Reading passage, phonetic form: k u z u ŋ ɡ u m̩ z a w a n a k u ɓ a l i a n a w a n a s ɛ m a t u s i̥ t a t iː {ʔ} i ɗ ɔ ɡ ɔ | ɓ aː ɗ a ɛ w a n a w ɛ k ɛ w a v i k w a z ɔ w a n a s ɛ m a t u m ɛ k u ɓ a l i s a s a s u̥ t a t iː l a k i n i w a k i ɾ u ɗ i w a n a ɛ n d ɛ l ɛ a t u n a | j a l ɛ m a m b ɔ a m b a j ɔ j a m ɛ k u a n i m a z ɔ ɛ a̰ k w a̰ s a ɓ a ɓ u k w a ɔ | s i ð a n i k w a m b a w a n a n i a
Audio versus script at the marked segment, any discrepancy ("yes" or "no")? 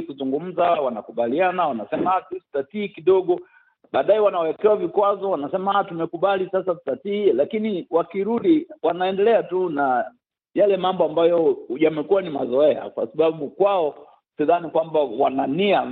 yes